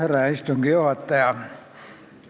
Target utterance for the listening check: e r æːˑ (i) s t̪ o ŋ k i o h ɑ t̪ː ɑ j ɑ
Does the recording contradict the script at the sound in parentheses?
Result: no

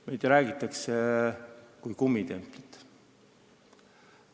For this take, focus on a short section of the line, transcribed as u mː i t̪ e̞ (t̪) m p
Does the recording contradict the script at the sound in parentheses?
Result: yes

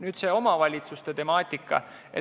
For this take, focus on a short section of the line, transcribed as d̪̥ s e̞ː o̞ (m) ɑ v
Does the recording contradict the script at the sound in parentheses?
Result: no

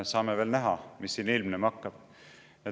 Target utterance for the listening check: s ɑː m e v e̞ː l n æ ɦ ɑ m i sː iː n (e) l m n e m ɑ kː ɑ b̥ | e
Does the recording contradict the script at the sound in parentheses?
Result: yes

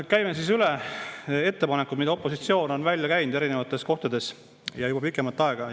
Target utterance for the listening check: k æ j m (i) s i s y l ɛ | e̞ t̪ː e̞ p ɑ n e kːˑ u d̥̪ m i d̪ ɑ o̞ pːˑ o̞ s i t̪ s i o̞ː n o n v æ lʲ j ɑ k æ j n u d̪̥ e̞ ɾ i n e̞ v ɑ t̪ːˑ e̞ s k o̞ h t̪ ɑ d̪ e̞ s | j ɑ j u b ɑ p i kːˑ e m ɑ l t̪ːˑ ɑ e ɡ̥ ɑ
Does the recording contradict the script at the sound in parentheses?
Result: yes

